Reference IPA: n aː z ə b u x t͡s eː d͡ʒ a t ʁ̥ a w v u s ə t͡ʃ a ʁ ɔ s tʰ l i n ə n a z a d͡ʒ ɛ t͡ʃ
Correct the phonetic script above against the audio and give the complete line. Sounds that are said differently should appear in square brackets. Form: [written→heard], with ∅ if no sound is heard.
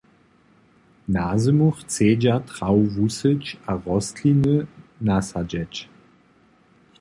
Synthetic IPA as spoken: n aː z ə [b→m] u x t͡s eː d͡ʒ a t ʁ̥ a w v u s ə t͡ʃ a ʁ ɔ s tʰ l i n ə n a [z→s] a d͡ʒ ɛ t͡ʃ